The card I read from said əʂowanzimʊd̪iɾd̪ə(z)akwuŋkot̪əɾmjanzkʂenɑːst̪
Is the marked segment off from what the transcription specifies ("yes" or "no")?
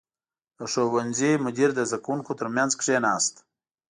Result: no